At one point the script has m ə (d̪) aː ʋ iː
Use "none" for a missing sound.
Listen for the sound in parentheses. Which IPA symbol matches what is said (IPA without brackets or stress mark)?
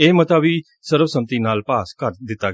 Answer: t̪